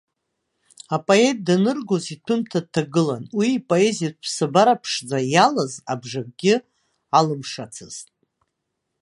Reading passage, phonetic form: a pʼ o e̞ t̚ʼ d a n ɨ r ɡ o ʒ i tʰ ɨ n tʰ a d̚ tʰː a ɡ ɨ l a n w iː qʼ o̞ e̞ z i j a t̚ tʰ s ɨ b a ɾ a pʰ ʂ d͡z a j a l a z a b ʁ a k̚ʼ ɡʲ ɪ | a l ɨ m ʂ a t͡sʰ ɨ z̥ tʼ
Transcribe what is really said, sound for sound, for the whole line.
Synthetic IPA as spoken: a pʼ o e̞ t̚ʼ d a n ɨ r ɡ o z i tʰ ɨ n tʰ a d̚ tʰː a ɡ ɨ l a n w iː pʼ o̞ e̞ z i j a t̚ pʰ s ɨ b a ɾ a pʰ ʂ d͡z a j a l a z a b ʐ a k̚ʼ ɡʲ ɪ | a l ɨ m ʂ a t͡sʰ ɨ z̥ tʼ